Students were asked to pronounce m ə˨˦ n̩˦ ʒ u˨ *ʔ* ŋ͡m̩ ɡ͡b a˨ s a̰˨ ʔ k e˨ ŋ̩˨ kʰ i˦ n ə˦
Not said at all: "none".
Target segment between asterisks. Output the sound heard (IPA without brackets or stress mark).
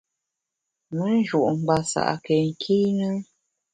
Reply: ʔ